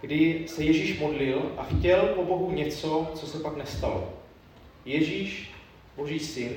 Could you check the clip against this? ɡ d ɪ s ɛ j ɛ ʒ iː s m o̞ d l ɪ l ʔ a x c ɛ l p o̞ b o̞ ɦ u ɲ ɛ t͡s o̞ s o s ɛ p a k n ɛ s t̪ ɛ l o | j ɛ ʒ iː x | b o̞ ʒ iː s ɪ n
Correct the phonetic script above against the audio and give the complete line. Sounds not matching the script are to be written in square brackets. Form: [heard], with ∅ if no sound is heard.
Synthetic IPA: ɡ d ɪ s ɛ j ɛ ʒ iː [ʃ] m o̞ d l ɪ l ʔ a x c ɛ l p o̞ b o̞ ɦ u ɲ ɛ t͡s o̞ [t͡s] o s ɛ p a k n ɛ s t̪ [a] l o | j ɛ ʒ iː [ʃ] | b o̞ ʒ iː s ɪ n